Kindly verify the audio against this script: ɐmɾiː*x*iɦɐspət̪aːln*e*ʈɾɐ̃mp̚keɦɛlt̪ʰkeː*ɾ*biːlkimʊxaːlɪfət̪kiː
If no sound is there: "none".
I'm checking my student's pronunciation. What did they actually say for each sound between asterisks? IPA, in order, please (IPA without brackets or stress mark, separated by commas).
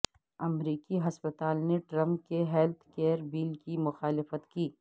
k, e, ɾ